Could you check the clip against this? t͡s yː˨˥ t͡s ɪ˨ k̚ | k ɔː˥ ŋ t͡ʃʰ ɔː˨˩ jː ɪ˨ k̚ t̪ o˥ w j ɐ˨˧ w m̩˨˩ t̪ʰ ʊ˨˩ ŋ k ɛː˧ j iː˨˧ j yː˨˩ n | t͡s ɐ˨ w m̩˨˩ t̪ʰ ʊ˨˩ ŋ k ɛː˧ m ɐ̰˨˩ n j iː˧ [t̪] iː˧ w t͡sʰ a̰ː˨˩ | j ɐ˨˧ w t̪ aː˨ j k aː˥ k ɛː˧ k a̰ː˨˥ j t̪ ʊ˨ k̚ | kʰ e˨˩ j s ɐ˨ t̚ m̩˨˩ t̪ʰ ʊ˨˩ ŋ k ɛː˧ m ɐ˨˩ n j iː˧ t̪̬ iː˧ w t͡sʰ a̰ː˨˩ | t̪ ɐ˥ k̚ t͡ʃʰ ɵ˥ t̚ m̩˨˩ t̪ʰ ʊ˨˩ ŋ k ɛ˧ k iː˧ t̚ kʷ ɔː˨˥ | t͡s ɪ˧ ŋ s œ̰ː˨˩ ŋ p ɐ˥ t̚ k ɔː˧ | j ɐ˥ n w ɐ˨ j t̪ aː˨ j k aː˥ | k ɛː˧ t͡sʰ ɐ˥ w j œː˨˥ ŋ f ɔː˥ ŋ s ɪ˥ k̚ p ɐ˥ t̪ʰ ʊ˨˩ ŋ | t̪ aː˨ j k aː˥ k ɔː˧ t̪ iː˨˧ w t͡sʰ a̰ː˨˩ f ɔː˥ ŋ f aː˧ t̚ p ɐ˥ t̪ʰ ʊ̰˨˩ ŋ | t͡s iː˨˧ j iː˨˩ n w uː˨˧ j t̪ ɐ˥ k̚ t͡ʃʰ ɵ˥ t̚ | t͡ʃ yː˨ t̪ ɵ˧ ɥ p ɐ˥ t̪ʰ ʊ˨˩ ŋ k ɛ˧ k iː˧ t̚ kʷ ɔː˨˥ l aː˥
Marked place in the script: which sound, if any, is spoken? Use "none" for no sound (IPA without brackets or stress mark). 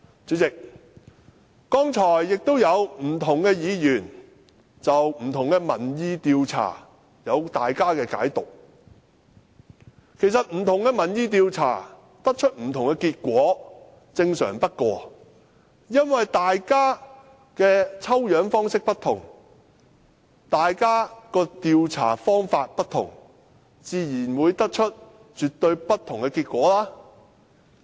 t̪